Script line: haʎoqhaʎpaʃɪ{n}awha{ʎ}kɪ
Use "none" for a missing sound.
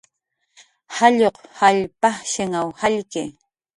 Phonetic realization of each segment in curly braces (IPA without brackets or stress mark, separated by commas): ŋ, ʎ